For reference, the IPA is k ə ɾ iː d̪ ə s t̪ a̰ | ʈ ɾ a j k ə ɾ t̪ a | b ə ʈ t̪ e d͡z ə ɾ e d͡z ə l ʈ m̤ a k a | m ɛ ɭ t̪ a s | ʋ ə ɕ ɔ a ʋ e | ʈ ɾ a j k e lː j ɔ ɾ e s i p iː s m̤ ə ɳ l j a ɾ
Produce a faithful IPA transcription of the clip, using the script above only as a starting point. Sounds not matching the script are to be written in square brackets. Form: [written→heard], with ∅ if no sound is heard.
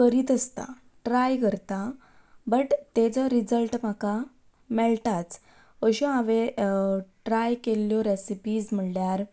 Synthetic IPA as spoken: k ə ɾ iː [d̪→t̪] ə s t̪ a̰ | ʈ ɾ a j k ə ɾ t̪ a | b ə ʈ t̪ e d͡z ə ɾ [e→i] d͡z ə l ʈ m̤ a k a | m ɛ ɭ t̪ a [s→t͡s] | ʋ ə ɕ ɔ a ʋ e | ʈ ɾ a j k e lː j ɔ ɾ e s i p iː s m̤ ə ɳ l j a ɾ